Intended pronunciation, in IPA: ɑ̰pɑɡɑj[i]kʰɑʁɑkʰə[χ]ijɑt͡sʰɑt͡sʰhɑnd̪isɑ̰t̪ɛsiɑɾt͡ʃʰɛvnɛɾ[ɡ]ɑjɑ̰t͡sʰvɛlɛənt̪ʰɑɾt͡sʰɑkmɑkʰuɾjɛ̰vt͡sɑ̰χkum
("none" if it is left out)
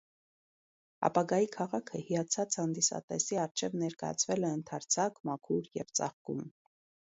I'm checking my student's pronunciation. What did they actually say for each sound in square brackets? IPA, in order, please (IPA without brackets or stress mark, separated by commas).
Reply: i, h, k